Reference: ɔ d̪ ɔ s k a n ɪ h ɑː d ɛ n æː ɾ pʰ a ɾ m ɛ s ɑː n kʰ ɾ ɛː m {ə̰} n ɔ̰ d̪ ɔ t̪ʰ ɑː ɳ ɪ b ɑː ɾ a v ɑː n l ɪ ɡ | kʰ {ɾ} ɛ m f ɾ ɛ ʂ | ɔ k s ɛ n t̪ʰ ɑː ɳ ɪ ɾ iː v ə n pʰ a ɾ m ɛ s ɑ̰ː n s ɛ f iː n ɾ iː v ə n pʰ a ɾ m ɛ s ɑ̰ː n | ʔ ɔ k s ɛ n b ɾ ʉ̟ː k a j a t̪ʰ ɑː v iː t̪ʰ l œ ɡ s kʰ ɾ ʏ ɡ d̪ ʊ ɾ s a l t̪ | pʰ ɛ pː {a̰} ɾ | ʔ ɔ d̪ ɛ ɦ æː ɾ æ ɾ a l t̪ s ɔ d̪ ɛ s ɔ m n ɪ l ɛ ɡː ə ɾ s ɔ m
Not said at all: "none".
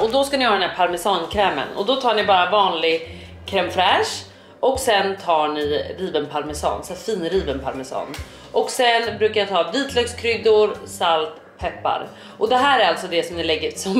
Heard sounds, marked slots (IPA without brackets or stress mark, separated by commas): ə̰, ɾ, a̰